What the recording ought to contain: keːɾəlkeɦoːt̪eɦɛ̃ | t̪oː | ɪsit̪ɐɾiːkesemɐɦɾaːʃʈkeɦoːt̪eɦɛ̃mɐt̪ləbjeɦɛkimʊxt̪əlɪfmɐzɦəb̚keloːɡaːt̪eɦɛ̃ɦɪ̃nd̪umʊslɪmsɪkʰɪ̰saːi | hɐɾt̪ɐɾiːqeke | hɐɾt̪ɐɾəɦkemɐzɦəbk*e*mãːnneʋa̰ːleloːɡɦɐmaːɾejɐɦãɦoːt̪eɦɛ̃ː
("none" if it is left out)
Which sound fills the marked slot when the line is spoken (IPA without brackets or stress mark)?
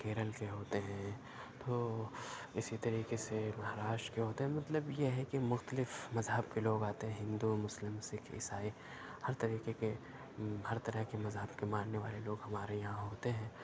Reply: e